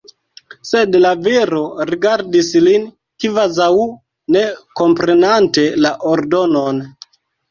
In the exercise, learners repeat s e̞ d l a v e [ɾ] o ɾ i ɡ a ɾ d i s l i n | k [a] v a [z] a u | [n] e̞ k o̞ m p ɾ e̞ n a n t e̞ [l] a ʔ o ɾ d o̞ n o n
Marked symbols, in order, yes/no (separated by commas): yes, no, yes, yes, yes